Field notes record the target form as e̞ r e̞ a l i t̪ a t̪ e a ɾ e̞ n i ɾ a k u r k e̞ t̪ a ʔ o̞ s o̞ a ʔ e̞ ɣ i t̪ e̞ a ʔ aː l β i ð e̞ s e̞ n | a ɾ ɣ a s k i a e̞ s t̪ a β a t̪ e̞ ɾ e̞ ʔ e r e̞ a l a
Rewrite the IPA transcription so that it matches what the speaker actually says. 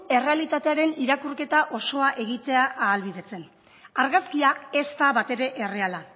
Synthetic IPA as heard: e̞ r e̞ a l i t̪ a t̪ e a ɾ e̞ n i ɾ a k u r k e̞ t̪ a ʔ o̞ s o̞ a ʔ e̞ ɣ i t̪ e̞ a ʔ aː l β i ð e̞ t͡s e̞ n | a ɾ ɣ a s k i a e̞ s t̪ a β a t̪ e̞ ɾ e̞ ʔ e r e̞ a l a